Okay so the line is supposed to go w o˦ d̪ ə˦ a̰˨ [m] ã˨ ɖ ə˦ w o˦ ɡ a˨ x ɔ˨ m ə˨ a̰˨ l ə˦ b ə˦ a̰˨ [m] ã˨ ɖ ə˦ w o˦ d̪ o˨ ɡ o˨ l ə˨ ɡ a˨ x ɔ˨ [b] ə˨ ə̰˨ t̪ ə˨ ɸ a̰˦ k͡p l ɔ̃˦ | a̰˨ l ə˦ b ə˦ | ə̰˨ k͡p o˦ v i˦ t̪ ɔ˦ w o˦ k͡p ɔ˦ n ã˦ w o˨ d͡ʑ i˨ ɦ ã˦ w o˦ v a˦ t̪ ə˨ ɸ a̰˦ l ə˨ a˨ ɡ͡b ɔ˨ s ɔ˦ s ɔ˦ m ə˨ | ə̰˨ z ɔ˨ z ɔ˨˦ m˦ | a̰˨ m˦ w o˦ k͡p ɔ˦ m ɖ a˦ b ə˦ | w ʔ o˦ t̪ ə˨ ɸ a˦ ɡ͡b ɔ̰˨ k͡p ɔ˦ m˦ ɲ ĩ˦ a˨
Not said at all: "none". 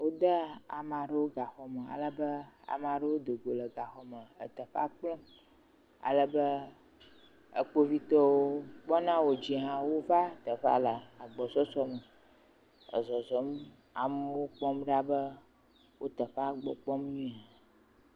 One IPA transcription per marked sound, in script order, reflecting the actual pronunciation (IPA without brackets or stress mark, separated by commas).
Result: m, m, m